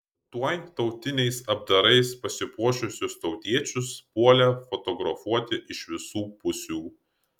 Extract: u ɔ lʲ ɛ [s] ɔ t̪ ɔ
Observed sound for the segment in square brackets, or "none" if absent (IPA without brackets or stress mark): f